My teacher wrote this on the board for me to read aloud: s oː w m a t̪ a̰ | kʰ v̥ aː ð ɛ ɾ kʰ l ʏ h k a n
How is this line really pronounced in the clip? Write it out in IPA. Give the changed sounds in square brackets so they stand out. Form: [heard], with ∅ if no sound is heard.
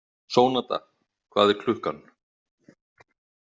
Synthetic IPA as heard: s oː w [n] a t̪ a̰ | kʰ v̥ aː ð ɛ ɾ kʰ l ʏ h k a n

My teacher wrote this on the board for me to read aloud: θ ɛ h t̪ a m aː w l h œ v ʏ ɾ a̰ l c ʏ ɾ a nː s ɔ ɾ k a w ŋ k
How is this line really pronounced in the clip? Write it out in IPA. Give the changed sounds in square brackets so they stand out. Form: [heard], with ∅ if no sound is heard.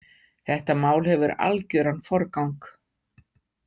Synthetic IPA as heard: θ ɛ h t̪ a m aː w l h [ɛ] v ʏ ɾ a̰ l c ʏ ɾ a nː [f] ɔ ɾ k a w ŋ k

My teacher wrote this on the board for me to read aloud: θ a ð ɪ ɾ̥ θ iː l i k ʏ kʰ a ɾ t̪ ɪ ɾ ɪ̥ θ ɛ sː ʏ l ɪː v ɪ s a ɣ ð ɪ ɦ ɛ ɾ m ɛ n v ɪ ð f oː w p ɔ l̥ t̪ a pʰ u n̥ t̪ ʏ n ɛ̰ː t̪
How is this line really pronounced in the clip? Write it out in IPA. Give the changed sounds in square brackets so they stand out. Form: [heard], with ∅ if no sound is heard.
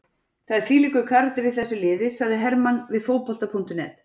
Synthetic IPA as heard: θ a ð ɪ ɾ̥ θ iː l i k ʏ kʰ a ɾ t̪ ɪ ɾ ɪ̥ θ ɛ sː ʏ l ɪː [ð] ɪ s a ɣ ð ɪ ɦ ɛ ɾ m [a] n v ɪ ð f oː w p ɔ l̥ t̪ a pʰ u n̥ t̪ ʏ n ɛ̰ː t̪

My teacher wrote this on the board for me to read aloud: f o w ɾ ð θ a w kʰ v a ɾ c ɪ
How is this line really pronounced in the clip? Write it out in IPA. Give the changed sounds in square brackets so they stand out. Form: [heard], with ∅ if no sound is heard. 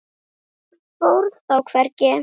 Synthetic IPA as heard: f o w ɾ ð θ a w kʰ v [ɛ] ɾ c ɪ

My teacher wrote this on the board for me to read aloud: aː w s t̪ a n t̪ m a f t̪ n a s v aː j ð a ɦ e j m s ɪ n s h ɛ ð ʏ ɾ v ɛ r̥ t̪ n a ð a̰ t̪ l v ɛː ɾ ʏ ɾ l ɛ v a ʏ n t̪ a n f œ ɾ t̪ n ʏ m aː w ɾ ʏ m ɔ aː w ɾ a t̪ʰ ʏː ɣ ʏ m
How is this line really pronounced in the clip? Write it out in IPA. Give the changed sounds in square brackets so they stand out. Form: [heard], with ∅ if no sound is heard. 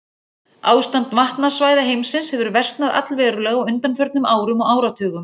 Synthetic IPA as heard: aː w s t̪ a n t̪ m a [h] t̪ n a s v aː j ð a ɦ e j m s ɪ n s h ɛ [v] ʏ ɾ v ɛ r̥ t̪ n a ð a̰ t̪ l v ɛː ɾ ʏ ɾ l ɛ [ɣ] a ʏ n t̪ a n f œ ɾ t̪ n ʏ m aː w ɾ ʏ m ɔ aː w ɾ a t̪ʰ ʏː ɣ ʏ m

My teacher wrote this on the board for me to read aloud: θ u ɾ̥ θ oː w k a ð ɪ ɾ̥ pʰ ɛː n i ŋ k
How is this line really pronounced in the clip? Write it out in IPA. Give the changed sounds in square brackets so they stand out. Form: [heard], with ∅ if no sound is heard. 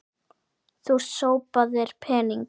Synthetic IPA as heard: θ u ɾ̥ [s] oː w [p] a ð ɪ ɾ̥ pʰ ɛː n i ŋ k

